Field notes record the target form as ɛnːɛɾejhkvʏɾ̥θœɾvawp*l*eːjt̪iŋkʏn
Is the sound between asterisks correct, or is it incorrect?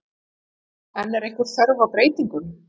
incorrect